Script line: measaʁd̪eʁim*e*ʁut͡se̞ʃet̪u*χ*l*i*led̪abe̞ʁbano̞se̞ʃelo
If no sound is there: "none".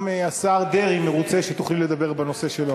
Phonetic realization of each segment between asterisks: e, χ, i

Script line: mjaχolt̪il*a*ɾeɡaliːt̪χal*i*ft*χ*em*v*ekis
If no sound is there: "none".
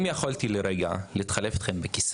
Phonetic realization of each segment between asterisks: e, e, χ, b

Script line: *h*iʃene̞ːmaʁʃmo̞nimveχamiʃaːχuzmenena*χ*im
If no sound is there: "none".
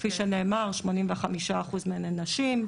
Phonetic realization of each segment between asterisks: f, ʃ

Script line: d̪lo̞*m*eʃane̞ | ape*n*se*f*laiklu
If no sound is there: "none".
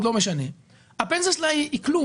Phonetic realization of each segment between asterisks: m, n, s

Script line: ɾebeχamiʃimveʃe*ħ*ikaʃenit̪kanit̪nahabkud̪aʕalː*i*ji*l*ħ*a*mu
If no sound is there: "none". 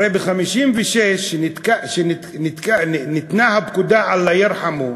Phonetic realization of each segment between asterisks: ʃ, a, ɾ, a

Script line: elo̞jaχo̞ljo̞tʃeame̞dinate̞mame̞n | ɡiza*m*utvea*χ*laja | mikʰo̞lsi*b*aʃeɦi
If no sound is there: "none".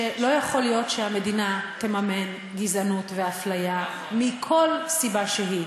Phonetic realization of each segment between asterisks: n, f, b

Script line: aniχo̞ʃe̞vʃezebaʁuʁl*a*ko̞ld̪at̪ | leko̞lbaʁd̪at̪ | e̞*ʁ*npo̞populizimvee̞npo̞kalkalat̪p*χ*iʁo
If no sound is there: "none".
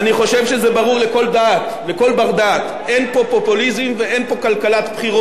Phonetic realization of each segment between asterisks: e, none, χ

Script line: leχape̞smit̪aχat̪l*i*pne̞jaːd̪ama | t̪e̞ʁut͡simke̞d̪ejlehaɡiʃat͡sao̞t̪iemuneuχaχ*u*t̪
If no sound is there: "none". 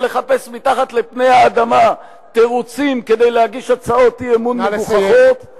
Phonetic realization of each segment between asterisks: e, o

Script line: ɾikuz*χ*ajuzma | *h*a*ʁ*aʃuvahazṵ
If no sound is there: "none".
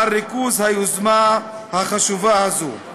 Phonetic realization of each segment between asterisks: h, h, χ

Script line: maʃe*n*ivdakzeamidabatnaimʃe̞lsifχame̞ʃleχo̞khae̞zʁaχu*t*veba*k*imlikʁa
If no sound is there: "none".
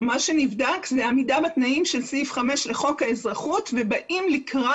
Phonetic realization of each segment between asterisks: n, t, ʔ

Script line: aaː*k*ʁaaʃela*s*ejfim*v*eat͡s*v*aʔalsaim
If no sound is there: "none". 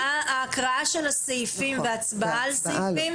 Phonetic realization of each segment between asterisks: k, s, v, b

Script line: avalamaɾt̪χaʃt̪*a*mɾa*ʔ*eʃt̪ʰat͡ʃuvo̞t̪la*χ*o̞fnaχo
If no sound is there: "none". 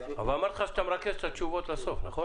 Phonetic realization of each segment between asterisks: a, k, s

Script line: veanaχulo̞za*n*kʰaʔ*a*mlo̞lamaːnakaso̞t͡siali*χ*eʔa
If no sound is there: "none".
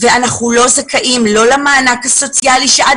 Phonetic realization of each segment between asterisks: none, i, ʃ

